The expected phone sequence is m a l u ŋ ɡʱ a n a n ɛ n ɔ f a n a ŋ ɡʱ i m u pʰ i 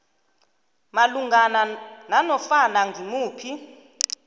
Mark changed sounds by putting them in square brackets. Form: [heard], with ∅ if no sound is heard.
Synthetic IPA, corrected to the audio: m a l u ŋ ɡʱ a n a n [a] n ɔ f a n a ŋ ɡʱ i m [uː] pʰ i